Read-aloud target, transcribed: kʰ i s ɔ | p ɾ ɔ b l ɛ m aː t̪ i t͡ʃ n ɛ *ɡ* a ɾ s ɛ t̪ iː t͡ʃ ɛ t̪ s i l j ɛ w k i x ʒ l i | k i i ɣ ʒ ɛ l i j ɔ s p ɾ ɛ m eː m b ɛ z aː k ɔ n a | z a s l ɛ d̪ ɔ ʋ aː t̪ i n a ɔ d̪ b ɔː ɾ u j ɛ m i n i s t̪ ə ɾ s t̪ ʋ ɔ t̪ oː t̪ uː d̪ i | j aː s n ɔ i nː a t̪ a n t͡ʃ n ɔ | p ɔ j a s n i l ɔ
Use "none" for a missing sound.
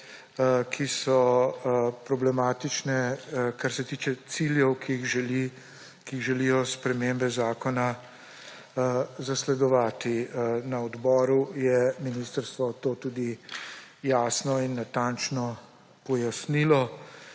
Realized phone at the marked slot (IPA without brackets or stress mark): k